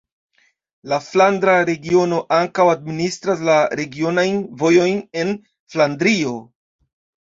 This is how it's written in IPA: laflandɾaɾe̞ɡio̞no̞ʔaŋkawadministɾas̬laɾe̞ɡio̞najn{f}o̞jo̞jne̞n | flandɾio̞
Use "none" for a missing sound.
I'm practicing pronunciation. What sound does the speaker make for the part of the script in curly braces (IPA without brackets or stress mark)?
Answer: v